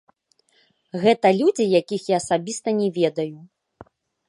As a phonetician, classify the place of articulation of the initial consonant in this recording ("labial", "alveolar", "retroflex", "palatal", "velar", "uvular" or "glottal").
velar